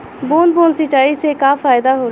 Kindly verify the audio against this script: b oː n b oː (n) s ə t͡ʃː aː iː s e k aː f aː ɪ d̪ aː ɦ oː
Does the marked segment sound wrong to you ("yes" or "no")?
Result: no